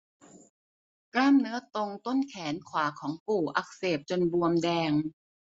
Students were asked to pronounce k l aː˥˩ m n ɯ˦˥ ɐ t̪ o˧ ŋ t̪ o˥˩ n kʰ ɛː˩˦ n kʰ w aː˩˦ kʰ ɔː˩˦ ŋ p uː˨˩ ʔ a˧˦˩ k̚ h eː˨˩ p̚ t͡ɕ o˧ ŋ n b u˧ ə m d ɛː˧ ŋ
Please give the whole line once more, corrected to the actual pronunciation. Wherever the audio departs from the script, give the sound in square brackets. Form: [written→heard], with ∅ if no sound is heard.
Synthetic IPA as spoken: k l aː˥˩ m n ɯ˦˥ ɐ t̪ o˧ ŋ t̪ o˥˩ n kʰ ɛː˩˦ n kʰ w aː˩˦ kʰ ɔː˩˦ ŋ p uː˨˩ ʔ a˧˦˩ k̚ [h→s] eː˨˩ p̚ t͡ɕ o˧ [ŋ→∅] n b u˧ ə m d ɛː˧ ŋ